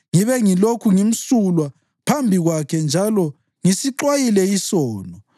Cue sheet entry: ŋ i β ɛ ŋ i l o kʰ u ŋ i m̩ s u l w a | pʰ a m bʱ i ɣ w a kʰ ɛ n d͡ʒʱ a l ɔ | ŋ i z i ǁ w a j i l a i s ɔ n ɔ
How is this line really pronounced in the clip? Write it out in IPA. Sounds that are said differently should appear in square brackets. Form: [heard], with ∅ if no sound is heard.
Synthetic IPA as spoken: ŋ i β ɛ ŋ i l o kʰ u ŋ i m̩ s u l w a | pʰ a m bʱ i ɣ w a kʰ ɛ n d͡ʒʱ a l ɔ | ŋ i [s] i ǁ w a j i l [ɛ] i s [ɔː] n ɔ